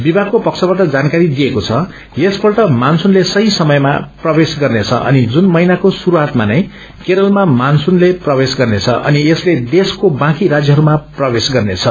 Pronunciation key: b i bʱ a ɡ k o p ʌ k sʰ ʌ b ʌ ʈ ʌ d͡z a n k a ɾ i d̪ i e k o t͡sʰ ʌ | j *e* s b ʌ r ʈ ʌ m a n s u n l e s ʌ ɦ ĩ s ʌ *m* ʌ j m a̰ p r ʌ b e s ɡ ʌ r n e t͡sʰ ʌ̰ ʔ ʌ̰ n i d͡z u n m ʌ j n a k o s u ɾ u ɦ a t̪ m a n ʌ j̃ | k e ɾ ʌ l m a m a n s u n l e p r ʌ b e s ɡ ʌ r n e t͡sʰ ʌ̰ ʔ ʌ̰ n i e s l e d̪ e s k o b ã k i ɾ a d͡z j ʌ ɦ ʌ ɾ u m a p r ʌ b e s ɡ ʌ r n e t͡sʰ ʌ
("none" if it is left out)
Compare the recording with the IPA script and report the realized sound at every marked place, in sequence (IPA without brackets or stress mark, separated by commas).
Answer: e, m